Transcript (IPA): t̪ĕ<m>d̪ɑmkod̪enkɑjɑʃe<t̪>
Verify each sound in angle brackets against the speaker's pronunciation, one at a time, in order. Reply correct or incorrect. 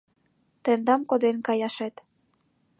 incorrect: n, correct

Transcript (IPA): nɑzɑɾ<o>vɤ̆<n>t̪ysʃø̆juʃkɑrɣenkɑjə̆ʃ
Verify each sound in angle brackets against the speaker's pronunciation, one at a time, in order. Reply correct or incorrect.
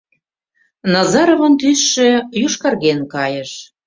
correct, correct

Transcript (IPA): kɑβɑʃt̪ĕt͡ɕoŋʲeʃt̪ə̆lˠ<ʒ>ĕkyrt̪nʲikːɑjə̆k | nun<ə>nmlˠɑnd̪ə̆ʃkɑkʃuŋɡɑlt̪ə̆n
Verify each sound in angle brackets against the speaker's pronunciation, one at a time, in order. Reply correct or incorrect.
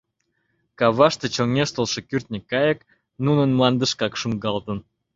incorrect: ʃ, correct

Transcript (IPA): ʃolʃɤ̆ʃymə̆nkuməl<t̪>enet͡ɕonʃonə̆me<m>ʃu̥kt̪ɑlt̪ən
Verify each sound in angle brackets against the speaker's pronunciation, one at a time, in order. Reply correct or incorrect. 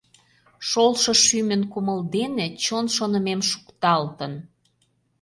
incorrect: d̪, correct

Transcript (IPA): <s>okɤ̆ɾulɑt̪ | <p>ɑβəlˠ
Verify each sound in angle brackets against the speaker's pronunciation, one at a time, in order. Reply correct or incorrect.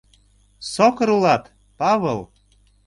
correct, correct

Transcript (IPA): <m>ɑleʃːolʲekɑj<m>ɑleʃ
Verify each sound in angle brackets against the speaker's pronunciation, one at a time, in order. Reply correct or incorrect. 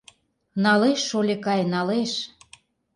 incorrect: n, incorrect: n

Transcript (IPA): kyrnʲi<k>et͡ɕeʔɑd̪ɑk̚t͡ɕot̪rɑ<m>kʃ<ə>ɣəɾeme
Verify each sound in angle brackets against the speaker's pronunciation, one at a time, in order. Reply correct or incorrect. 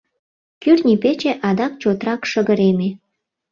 incorrect: p, incorrect: none, correct

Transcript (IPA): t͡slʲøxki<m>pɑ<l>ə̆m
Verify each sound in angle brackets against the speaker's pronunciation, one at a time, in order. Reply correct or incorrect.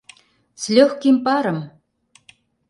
correct, incorrect: ɾ

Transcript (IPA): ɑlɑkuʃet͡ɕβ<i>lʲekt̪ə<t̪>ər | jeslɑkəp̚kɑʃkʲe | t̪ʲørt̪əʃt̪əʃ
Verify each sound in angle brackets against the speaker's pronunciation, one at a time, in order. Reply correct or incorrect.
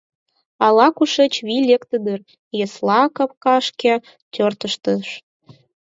correct, incorrect: d̪

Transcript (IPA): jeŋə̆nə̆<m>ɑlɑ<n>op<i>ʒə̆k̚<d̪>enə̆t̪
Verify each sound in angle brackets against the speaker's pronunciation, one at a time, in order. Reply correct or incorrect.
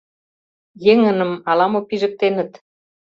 correct, incorrect: m, correct, incorrect: t̪

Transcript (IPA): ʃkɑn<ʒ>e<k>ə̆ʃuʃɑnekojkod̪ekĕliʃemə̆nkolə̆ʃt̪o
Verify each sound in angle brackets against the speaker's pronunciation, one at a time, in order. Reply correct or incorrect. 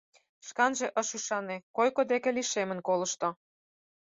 correct, incorrect: ʔ

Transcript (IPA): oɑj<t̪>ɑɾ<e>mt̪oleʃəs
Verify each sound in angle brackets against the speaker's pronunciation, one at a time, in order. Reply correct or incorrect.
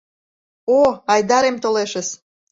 incorrect: d̪, correct

